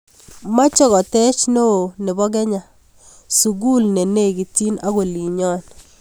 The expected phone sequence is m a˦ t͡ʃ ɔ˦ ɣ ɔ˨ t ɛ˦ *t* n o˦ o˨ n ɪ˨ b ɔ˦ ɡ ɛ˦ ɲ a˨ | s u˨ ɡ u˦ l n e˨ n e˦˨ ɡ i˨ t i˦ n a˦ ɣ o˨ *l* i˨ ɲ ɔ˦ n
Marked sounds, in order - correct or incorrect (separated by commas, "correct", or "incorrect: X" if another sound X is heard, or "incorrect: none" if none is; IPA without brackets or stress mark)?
incorrect: t͡ʃ, correct